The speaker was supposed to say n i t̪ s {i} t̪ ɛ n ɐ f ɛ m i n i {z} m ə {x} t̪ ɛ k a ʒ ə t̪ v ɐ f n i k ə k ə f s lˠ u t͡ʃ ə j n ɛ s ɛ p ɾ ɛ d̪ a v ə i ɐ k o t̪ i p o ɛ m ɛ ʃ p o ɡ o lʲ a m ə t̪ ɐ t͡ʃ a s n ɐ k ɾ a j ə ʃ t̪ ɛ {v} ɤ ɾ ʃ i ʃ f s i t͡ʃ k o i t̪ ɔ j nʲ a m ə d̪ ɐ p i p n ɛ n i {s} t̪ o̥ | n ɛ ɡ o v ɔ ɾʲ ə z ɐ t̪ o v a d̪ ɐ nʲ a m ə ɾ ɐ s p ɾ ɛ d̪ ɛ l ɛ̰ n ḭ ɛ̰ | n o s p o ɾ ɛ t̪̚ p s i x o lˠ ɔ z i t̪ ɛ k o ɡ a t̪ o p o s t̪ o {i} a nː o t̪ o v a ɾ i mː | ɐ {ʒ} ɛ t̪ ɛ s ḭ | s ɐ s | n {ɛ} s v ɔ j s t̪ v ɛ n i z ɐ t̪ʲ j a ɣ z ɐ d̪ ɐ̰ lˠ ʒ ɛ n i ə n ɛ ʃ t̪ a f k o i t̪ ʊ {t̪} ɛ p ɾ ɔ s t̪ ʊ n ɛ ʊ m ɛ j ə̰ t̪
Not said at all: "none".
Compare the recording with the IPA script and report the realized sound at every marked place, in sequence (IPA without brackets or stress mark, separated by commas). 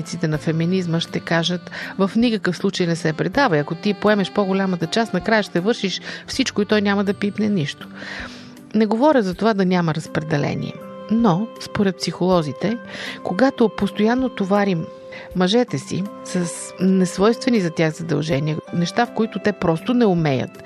i, z, ʃ, v, ʃ, j, ʒ, ɛ, t̪